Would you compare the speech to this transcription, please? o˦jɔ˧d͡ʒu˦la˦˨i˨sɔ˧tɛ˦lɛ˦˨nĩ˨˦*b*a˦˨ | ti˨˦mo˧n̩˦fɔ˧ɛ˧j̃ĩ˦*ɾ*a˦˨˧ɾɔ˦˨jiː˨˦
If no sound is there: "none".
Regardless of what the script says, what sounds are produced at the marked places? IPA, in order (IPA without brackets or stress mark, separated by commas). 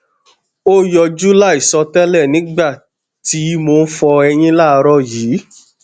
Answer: ɡ͡b, l